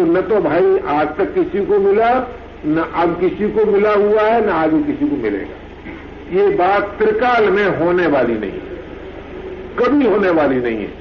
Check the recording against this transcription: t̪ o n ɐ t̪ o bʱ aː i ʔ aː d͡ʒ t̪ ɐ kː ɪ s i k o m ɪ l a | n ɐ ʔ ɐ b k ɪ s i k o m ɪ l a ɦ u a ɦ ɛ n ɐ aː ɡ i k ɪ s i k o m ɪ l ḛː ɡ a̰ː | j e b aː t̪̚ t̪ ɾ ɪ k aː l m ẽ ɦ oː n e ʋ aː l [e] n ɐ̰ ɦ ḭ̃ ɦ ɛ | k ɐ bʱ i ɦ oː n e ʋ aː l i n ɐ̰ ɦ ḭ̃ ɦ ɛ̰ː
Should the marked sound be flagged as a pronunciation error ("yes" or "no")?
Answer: yes